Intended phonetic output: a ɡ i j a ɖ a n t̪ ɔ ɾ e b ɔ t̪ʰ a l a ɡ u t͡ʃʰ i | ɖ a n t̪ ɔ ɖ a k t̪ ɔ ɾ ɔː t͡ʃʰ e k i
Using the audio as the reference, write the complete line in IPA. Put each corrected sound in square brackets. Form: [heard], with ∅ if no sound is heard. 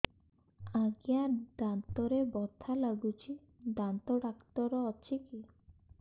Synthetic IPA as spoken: a ɡ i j a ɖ a n t̪ ɔ ɾ e b ɔ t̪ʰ a l a ɡ u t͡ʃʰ i | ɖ a n t̪ ɔ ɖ a k t̪ ɔ ɾ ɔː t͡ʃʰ [i] k i